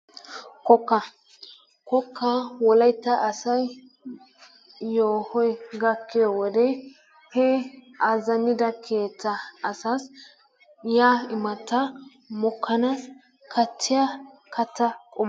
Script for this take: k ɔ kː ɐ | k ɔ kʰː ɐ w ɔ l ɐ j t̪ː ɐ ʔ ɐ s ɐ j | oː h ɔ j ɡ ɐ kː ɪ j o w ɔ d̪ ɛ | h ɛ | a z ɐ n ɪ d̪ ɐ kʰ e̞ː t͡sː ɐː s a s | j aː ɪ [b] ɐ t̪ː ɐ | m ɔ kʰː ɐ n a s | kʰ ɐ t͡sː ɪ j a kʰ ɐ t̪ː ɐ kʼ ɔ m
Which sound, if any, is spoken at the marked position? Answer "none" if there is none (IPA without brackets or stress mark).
m